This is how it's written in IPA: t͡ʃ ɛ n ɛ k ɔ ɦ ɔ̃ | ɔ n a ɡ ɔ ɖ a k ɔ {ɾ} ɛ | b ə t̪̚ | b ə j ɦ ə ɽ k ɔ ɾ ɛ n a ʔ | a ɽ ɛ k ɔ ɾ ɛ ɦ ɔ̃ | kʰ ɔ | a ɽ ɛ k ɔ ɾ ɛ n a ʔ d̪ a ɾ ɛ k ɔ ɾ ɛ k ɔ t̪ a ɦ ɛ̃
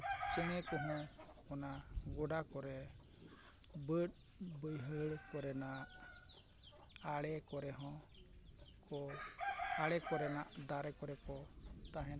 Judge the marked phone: correct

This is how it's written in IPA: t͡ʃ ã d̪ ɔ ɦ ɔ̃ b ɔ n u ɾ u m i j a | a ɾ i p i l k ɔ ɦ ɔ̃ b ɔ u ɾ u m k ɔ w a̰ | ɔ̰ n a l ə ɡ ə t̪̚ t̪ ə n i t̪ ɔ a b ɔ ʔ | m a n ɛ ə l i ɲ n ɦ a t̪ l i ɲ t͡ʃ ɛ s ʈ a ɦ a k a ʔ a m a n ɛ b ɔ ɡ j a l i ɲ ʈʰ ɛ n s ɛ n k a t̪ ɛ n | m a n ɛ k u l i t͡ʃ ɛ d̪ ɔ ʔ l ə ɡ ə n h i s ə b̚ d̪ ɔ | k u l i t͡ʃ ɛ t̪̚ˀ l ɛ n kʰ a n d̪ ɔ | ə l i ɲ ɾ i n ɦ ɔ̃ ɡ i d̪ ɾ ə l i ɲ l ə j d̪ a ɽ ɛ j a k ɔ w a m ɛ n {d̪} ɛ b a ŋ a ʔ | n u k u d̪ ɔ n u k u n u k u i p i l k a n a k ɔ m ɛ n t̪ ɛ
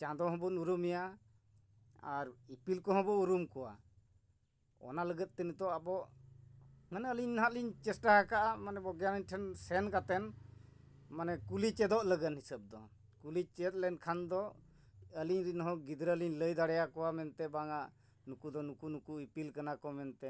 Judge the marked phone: incorrect: t̪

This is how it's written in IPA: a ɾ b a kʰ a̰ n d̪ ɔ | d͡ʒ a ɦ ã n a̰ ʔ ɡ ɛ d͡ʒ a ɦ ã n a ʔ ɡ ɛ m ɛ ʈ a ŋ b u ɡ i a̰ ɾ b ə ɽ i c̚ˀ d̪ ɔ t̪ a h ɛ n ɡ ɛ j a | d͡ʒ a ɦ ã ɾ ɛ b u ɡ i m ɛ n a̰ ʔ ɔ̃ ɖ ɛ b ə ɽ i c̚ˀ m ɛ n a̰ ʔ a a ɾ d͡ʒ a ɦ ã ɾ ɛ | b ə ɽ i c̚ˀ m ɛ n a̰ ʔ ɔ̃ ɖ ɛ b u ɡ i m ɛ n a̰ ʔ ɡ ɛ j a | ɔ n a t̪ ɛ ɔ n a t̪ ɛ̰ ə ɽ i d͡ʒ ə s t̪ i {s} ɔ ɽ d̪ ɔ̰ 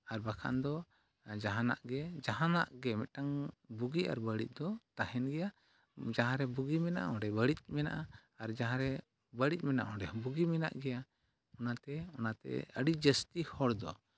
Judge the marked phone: incorrect: h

